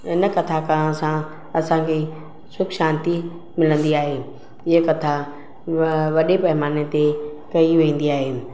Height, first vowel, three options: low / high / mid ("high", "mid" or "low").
high